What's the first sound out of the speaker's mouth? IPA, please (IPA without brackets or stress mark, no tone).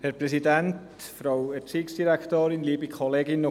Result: h